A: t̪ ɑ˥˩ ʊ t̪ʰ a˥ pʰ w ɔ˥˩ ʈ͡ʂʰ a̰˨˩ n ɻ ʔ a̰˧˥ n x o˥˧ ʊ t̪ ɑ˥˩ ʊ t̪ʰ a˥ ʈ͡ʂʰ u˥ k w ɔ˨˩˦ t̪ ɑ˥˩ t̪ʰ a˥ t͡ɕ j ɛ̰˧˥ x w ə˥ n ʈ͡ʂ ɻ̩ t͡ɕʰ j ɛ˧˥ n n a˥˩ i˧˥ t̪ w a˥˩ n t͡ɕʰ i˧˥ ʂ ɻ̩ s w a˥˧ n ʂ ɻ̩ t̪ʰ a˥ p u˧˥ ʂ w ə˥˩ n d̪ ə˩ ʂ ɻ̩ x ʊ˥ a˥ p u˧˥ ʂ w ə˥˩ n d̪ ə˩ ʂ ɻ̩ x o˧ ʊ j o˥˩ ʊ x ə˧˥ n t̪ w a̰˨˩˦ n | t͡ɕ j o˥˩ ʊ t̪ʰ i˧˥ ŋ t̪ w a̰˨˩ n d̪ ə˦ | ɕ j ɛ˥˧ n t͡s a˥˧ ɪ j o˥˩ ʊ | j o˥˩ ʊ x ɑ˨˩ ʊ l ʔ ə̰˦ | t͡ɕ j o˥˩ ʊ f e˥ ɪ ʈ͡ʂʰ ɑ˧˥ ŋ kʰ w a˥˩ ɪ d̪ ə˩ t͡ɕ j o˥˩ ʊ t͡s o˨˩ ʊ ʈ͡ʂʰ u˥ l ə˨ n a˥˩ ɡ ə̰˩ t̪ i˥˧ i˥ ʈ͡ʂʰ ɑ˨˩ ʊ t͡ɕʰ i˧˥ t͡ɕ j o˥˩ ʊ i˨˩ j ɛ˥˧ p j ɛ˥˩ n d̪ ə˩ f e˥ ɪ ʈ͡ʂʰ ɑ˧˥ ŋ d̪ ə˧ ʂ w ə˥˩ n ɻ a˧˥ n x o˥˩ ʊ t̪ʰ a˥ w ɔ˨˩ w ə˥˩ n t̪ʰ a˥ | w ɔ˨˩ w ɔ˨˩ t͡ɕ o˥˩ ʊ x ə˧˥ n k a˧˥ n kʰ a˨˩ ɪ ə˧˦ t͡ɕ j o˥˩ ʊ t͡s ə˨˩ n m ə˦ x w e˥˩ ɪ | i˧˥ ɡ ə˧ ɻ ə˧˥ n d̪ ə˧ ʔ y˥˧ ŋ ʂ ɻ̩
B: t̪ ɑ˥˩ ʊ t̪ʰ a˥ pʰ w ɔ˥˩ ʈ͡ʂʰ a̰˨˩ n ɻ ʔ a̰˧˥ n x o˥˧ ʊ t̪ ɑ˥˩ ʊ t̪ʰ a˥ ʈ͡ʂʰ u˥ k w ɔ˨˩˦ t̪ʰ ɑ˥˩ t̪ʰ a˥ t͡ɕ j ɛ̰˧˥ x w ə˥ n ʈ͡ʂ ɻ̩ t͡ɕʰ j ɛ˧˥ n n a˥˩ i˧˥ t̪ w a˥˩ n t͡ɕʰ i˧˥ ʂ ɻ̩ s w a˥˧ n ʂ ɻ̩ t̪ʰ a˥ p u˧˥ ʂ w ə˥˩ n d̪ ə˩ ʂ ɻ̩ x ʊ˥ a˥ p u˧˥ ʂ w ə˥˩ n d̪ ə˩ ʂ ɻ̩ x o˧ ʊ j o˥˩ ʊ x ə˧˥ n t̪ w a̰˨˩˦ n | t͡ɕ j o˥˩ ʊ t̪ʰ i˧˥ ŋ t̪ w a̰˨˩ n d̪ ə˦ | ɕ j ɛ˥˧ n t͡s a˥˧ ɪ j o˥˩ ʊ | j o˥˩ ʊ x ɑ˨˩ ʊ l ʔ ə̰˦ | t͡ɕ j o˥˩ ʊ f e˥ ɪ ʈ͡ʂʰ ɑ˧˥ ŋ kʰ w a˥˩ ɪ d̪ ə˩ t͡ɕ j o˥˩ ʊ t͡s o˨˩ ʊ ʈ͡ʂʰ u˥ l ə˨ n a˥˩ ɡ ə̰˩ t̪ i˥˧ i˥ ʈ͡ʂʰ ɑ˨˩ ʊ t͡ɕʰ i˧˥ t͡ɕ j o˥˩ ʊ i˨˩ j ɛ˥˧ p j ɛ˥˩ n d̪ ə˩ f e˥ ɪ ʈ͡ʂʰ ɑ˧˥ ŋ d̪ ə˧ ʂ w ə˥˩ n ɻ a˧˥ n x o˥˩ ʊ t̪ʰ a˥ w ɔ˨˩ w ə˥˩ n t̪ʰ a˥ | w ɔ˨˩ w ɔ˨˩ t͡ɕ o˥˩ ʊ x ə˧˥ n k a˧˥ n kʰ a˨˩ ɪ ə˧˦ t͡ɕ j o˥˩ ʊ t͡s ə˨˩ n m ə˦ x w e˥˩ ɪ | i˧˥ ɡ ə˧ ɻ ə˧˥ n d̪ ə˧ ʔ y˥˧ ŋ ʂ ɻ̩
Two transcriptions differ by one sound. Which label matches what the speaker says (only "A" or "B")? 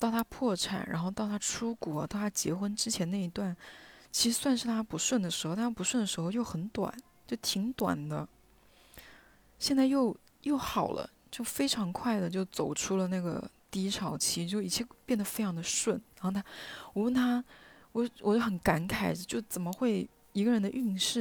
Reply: A